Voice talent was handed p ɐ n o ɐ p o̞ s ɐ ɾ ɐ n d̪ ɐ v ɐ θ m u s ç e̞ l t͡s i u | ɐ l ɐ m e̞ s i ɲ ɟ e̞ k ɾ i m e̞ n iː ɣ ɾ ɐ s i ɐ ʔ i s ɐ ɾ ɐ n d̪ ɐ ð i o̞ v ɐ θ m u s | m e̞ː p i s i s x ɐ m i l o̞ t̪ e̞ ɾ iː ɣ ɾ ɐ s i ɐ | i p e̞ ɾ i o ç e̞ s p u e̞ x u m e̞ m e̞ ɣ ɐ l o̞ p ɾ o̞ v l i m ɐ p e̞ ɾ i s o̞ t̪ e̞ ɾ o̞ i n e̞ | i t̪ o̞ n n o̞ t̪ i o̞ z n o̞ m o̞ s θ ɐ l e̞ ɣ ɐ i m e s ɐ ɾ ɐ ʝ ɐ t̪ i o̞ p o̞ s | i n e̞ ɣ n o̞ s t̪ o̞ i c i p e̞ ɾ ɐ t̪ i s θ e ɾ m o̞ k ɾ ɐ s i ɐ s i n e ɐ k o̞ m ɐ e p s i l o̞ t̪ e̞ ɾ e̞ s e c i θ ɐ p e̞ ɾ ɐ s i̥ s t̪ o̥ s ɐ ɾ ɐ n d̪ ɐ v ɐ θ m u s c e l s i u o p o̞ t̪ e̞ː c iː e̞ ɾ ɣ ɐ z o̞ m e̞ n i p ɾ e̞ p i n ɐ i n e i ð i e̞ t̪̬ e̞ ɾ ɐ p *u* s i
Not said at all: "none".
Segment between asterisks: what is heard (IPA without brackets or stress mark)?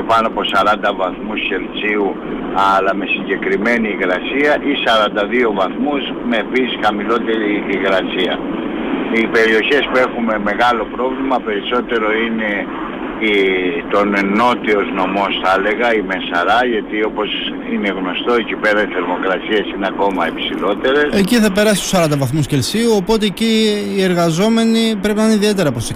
o